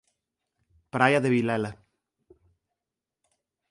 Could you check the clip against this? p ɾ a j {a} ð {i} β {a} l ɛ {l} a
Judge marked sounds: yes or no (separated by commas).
yes, no, no, yes